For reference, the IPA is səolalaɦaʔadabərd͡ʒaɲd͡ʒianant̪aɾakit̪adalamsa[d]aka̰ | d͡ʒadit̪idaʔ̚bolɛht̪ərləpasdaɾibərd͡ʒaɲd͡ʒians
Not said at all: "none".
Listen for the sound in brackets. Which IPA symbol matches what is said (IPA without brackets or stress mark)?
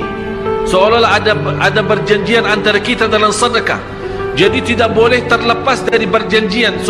d